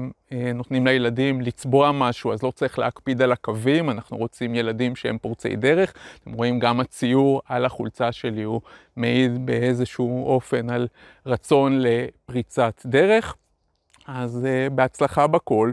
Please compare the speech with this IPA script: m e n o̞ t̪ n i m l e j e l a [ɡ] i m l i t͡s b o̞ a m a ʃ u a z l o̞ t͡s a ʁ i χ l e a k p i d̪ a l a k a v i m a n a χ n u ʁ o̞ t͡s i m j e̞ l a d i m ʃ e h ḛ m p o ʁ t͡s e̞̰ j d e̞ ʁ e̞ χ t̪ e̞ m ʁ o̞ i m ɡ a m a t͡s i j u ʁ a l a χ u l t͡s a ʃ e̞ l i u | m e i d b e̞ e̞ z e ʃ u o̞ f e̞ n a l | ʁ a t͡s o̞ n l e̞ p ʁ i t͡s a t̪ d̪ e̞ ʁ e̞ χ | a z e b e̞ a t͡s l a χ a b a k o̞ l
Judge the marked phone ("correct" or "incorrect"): incorrect